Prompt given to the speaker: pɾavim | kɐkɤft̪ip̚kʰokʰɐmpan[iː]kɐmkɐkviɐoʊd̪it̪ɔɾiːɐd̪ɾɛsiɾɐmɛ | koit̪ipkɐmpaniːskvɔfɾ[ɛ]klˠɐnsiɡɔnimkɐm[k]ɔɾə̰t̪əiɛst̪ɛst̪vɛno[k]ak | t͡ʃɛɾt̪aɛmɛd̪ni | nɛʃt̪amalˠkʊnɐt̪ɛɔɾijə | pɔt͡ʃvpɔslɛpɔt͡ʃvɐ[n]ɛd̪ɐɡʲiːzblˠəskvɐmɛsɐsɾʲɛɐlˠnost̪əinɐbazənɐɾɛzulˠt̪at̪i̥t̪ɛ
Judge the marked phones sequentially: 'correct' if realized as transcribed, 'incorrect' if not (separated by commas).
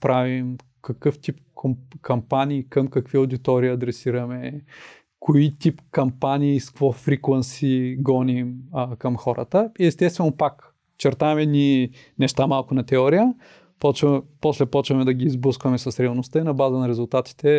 correct, incorrect, incorrect, incorrect, incorrect